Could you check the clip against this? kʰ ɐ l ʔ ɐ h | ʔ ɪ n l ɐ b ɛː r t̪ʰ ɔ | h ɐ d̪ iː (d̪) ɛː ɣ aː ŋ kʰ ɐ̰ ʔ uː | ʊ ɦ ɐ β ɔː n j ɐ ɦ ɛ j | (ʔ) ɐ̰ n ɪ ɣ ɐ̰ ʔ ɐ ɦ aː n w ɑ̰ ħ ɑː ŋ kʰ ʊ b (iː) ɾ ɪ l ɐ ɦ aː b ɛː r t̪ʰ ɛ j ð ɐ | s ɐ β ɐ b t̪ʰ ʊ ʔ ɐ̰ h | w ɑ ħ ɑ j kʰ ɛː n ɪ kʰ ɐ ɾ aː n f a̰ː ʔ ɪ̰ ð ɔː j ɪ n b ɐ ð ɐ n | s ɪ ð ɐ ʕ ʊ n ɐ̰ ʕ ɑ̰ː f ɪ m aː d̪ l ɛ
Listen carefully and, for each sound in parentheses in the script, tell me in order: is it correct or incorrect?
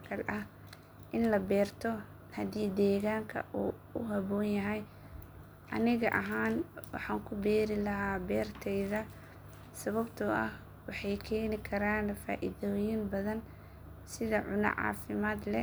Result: correct, correct, incorrect

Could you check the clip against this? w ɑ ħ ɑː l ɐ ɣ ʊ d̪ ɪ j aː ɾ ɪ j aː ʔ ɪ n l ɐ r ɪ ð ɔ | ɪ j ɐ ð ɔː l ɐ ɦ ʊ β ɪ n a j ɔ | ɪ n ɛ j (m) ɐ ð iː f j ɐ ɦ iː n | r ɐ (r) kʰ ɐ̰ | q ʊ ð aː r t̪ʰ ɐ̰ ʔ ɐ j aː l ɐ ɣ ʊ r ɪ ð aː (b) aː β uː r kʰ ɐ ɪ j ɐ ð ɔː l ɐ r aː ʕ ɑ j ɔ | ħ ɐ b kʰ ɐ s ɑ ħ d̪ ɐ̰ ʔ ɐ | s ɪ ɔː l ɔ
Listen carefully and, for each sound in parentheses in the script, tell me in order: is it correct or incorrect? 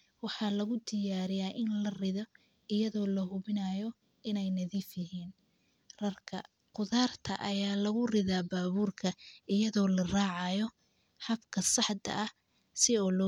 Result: incorrect, correct, correct

